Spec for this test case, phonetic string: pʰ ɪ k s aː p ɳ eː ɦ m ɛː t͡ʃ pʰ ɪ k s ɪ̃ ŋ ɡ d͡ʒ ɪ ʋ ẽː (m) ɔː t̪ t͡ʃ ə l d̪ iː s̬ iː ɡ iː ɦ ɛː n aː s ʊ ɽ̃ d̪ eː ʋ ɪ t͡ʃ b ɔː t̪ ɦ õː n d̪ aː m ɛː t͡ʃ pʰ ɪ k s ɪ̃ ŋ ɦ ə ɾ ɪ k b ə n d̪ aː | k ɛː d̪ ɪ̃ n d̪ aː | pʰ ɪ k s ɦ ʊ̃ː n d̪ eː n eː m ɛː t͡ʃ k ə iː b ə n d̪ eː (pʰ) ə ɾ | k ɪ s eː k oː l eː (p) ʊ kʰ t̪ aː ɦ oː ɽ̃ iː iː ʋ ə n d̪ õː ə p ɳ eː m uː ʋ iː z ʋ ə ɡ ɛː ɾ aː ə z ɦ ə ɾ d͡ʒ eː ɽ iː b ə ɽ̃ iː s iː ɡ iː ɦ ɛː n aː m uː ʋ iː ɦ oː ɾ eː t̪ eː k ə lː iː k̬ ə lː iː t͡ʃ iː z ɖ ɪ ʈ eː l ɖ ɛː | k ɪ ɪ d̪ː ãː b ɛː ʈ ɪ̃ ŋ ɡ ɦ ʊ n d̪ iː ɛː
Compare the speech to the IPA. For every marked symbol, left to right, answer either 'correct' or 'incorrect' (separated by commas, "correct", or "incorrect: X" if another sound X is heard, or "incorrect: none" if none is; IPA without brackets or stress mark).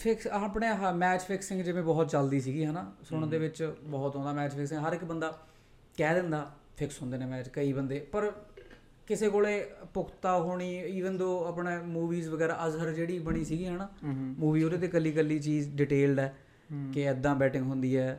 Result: incorrect: b, incorrect: p, correct